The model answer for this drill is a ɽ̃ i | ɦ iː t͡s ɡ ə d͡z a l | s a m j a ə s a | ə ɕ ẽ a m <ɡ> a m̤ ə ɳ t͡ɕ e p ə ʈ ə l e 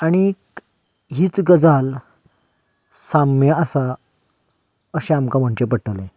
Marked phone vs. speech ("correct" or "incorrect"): incorrect